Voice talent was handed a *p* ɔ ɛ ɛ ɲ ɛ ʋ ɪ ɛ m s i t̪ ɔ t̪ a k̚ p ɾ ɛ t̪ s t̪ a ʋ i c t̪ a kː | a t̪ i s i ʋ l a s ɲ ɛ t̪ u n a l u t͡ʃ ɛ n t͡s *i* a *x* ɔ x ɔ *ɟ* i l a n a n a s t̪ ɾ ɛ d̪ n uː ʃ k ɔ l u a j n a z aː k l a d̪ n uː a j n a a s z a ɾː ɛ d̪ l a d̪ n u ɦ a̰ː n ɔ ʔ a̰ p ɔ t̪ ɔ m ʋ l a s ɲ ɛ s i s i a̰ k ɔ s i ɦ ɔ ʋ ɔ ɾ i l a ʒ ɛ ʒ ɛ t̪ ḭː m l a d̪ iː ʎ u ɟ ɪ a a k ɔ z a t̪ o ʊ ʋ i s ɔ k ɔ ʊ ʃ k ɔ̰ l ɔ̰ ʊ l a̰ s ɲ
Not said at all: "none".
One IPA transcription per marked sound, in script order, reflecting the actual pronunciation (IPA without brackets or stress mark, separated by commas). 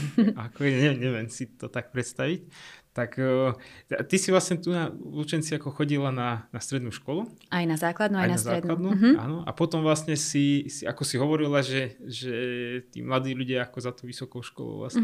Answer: k, i, k, ɟ